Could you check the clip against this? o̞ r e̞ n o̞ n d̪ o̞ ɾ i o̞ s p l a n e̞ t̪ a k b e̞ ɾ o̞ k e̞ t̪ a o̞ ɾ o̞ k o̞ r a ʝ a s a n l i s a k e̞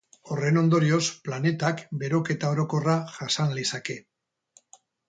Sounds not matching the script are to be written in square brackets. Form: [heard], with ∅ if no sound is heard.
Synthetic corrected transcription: o̞ r e̞ n o̞ n d̪ o̞ ɾ i o̞ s p l a n e̞ t̪ a k b e̞ ɾ o̞ k e̞ t̪ a o̞ ɾ o̞ k o̞ r a ʝ a s a n l i s a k e̞